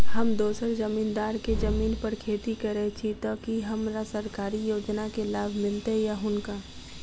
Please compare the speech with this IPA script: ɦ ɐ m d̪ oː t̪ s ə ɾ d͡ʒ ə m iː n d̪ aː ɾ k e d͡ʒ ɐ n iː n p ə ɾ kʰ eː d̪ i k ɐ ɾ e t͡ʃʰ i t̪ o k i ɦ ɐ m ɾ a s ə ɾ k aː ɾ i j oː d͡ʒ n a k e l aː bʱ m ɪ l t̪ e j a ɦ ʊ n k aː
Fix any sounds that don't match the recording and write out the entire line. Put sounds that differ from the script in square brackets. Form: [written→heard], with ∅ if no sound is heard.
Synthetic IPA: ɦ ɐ m d̪ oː [t̪→∅] s ə ɾ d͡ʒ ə m iː n d̪ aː ɾ k e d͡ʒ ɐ [n→m] iː n p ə ɾ kʰ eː [d̪→t̪] i k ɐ ɾ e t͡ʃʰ i t̪ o k i ɦ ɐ m ɾ a s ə ɾ k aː ɾ i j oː d͡ʒ n a k e l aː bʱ m ɪ l t̪ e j a ɦ ʊ n k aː